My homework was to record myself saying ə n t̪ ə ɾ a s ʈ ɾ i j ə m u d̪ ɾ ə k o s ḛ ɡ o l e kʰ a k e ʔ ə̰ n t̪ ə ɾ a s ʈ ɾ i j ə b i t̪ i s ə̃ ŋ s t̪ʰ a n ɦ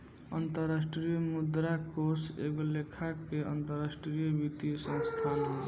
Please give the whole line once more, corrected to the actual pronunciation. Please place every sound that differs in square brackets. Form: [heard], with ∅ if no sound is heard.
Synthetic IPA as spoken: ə n t̪ ə ɾ a s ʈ ɾ i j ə m u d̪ ɾ [a] k o s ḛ ɡ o l e kʰ a k e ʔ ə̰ n t̪ ə ɾ a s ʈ ɾ i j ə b i t̪ i s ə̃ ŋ s t̪ʰ a n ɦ